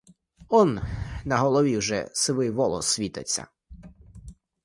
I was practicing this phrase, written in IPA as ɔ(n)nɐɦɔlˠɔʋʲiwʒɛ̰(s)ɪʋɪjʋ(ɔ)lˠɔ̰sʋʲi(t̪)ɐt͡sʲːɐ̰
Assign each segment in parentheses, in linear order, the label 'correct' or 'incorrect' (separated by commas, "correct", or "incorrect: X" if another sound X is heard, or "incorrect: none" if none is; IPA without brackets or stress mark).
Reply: correct, correct, correct, correct